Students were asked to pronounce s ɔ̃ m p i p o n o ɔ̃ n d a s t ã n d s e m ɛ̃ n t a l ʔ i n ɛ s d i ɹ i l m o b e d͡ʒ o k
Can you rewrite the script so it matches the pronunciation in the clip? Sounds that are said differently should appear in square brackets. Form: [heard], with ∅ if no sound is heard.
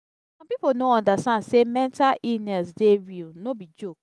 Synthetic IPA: s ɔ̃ m p i p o n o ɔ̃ n d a s t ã n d s e m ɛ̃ n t a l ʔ i n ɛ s d [e] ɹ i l [n] o b [i] d͡ʒ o k